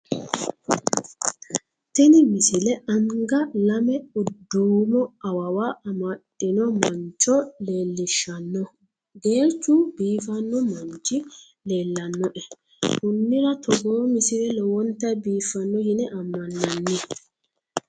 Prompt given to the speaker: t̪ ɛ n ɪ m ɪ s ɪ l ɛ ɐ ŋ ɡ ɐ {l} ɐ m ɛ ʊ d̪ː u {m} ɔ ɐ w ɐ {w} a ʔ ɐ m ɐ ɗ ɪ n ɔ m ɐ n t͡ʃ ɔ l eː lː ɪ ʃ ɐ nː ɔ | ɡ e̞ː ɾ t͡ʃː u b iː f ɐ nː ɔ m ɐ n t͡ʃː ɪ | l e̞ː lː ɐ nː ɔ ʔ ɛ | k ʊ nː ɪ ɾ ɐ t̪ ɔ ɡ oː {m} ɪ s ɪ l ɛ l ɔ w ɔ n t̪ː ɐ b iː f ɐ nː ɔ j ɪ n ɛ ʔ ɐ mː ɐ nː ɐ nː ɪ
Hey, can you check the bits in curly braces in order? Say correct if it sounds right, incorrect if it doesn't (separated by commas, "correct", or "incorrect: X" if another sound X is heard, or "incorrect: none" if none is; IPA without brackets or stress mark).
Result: correct, correct, correct, correct